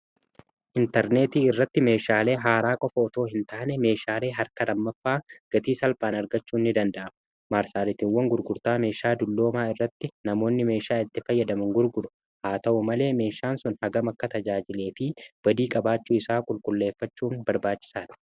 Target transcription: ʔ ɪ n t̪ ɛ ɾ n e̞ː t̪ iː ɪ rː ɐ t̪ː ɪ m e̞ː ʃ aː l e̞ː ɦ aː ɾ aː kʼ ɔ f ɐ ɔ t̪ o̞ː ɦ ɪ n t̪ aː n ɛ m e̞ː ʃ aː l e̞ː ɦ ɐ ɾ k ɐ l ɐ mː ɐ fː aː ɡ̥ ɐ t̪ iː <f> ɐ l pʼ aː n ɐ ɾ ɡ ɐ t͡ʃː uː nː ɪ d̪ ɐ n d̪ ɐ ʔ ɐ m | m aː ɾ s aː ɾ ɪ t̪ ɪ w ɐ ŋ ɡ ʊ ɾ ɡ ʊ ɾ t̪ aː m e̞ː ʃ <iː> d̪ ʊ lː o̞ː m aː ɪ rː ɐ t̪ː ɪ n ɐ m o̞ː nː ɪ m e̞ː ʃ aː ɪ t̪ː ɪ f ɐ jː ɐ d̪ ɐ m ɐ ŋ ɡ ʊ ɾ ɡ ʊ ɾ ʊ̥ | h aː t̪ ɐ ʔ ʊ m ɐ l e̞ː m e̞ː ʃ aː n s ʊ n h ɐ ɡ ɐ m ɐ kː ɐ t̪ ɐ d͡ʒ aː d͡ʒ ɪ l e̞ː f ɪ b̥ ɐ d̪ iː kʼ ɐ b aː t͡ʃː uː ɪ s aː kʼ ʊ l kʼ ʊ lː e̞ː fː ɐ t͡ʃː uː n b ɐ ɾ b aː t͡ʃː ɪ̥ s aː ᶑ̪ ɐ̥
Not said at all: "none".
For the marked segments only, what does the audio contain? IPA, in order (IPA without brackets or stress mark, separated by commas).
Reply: s, aː